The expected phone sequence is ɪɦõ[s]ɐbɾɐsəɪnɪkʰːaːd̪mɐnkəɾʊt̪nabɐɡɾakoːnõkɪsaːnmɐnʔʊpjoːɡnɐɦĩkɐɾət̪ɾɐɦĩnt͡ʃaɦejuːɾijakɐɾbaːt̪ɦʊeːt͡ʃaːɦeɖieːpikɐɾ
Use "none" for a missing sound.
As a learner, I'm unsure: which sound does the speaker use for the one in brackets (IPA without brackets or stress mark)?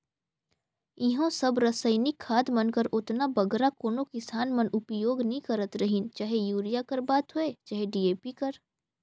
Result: s